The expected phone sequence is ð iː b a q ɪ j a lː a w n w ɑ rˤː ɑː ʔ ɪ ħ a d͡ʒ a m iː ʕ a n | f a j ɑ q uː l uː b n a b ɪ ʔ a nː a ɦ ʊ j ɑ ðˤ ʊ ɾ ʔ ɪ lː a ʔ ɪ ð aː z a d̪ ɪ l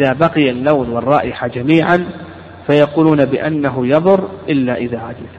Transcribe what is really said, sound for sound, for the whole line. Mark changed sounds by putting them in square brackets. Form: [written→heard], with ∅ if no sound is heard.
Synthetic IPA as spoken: ð [iː→aː] b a q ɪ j a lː a w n w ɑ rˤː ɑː ʔ ɪ ħ a d͡ʒ a m iː ʕ a n | f a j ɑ q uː l uː [b→∅] n a b ɪ ʔ a nː a ɦ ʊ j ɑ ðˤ ʊ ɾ ʔ ɪ lː a ʔ ɪ ð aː [z→ʕ] a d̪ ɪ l